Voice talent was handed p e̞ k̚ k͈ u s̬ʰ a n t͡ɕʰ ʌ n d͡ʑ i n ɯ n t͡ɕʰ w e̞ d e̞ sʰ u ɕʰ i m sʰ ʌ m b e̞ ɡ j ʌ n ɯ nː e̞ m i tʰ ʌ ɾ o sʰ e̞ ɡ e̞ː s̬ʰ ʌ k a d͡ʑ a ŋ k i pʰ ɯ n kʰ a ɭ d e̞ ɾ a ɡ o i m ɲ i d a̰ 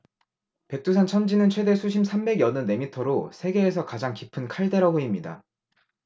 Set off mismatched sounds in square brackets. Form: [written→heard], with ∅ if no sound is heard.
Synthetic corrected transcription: p e̞ k̚ [k͈→t͈] u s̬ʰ a n t͡ɕʰ ʌ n d͡ʑ i n ɯ n t͡ɕʰ w e̞ d e̞ sʰ u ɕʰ i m sʰ [ʌ→a] m b e̞ ɡ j ʌ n ɯ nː e̞ m i tʰ ʌ ɾ o sʰ e̞ ɡ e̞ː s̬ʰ ʌ k a d͡ʑ a ŋ k i pʰ ɯ n kʰ a ɭ d e̞ ɾ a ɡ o i m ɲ i d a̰